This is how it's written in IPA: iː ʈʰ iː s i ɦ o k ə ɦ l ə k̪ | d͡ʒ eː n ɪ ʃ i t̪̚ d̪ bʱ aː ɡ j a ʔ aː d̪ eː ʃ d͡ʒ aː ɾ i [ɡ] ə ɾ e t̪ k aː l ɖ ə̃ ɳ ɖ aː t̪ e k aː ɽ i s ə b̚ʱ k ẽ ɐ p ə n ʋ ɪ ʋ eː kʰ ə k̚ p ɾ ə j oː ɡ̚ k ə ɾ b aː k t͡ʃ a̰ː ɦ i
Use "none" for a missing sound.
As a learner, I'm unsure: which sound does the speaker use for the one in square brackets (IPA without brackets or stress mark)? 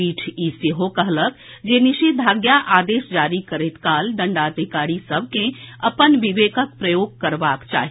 k